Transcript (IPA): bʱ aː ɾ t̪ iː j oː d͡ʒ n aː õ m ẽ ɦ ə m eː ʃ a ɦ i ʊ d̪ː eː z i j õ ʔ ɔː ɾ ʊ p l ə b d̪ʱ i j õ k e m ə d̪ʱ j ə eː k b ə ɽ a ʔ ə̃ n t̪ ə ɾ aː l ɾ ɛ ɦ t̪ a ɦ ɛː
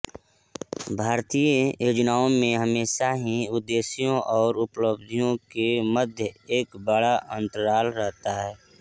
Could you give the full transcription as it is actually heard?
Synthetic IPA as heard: bʱ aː ɾ t̪ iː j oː d͡ʒ n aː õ m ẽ ɦ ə m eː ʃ a ɦ i ʊ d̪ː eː s i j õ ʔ ɔː ɾ ʊ p l ə b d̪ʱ i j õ k e m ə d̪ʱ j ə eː k b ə ɽ a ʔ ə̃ n t̪ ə ɾ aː l ɾ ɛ ɦ t̪ a ɦ ɛː